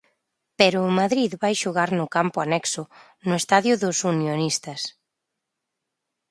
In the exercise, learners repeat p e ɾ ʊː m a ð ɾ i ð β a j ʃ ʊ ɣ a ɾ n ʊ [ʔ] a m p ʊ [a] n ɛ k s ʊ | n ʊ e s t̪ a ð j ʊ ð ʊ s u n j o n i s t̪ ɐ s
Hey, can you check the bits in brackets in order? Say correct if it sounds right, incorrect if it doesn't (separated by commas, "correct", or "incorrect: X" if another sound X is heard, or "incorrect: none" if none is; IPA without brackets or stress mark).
incorrect: k, correct